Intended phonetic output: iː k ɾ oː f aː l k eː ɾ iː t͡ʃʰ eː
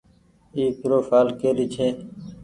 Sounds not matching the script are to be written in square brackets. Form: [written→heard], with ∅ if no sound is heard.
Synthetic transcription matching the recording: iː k ɾ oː f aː l k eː ɾ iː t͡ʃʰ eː